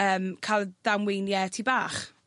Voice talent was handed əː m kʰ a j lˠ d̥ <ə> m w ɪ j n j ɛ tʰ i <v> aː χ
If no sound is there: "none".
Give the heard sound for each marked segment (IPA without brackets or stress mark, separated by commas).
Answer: a, b